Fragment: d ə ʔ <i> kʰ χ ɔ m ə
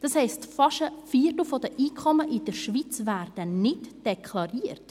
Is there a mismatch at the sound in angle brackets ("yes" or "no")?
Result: yes